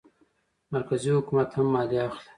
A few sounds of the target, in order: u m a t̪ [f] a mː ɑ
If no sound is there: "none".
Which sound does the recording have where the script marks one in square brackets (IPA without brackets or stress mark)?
h